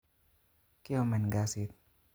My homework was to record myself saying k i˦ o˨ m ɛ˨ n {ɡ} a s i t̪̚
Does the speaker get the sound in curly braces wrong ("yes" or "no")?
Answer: no